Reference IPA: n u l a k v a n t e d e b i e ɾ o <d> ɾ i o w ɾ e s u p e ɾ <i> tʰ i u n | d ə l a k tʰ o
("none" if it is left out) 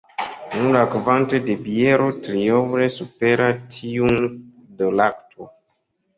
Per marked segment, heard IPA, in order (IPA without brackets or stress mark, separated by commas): t, a